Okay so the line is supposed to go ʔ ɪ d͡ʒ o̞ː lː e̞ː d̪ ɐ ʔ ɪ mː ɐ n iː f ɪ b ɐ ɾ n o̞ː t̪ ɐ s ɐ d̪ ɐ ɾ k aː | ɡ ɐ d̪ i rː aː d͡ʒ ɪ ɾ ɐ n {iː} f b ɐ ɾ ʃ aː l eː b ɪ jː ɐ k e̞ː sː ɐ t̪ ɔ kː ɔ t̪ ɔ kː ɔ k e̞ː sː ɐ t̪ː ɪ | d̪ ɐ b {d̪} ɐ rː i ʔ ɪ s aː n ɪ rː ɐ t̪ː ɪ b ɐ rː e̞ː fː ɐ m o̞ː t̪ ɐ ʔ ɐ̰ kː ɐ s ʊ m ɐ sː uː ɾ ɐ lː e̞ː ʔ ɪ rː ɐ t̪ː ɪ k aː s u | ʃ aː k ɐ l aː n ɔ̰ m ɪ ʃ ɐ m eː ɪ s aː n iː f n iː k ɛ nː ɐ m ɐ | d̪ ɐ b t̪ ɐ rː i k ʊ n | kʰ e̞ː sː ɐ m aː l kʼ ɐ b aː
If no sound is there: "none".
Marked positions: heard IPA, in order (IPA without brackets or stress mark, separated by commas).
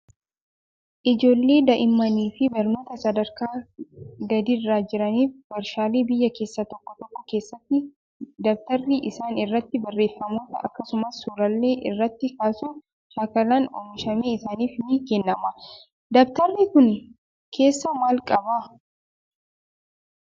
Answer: iː, t̪